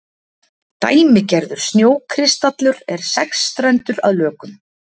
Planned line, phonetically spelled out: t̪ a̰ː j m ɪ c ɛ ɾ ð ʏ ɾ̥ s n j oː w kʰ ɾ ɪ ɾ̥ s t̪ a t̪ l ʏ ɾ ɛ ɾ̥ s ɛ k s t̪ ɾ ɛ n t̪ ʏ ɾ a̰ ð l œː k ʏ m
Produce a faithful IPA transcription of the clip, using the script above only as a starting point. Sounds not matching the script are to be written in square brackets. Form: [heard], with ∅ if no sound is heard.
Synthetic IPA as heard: t̪ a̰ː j m ɪ c ɛ ɾ ð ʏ ɾ̥ s n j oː w kʰ ɾ ɪ [∅] s t̪ a t̪ l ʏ ɾ ɛ ɾ̥ s ɛ k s t̪ ɾ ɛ n t̪ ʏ ɾ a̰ ð l œː k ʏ m